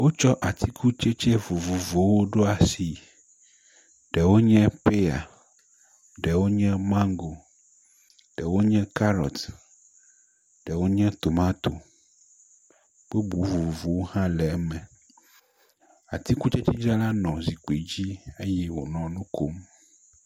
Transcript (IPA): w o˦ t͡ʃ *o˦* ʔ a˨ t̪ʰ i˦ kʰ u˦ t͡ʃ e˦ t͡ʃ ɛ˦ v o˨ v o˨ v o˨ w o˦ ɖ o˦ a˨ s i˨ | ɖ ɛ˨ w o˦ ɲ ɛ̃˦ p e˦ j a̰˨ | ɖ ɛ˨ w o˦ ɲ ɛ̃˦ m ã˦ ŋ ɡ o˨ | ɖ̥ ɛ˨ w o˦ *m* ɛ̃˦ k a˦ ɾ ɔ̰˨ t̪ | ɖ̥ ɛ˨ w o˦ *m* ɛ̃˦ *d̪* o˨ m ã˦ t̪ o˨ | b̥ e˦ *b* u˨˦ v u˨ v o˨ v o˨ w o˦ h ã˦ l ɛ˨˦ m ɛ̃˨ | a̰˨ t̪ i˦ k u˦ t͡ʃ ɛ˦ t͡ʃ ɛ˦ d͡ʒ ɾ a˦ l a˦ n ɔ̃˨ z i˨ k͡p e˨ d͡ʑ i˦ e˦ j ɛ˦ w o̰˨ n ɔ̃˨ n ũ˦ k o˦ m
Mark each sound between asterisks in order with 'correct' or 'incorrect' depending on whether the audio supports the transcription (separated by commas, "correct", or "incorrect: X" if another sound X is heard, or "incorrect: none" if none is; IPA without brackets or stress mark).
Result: incorrect: ɔ˦, incorrect: ɲ, incorrect: ɲ, incorrect: t̪, correct